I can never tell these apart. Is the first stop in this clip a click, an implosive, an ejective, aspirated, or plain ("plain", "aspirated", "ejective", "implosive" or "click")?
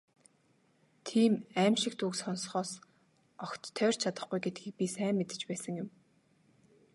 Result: aspirated